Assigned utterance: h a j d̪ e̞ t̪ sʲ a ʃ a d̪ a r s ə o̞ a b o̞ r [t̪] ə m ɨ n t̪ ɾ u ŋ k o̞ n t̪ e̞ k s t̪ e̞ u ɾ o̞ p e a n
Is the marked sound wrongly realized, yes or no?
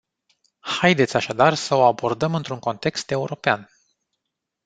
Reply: yes